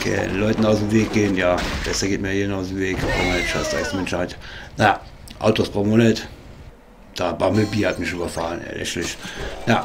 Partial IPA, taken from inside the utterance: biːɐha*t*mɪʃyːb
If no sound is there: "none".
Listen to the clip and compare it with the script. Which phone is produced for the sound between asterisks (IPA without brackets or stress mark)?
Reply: t